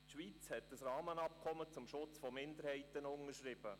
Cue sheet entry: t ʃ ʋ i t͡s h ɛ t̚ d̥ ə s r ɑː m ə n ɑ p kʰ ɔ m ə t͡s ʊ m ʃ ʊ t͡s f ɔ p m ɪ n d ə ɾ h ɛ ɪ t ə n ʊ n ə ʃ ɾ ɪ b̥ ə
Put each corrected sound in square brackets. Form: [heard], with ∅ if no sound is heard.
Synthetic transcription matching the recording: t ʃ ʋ i t͡s h ɛ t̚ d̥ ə s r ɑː m ə n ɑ p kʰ ɔ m ə t͡s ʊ m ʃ ʊ t͡s f ɔ [∅] m ɪ n d ə ɾ h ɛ ɪ t ə n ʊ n ə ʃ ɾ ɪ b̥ ə